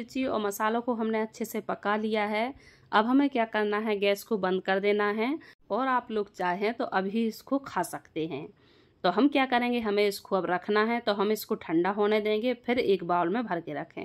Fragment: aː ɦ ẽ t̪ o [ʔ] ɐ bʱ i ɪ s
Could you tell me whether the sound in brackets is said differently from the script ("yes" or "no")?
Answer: no